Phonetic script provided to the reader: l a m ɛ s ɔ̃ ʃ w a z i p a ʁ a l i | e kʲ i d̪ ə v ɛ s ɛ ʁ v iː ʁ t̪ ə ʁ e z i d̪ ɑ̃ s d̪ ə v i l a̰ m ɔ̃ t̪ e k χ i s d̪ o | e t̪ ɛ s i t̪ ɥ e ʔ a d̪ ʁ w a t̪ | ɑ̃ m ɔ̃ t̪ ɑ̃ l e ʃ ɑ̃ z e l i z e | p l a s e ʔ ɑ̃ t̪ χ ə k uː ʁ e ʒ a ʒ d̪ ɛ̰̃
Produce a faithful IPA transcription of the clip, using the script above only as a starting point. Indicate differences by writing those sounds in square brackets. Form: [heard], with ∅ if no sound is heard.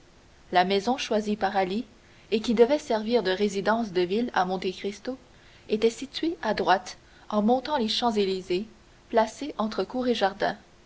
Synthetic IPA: l a m ɛ [z] ɔ̃ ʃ w a z i p a ʁ a l i | e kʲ i d̪ ə v ɛ s ɛ ʁ v iː ʁ [d̪] ə ʁ e z i d̪ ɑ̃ s d̪ ə v i l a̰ m ɔ̃ t̪ e k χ i s [t̪] o | e t̪ ɛ s i t̪ ɥ e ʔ a d̪ ʁ w a t̪ | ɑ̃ m ɔ̃ t̪ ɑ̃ l e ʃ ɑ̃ z e l i z e | p l a s e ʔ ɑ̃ t̪ χ ə k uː ʁ e ʒ a [ʁ] d̪ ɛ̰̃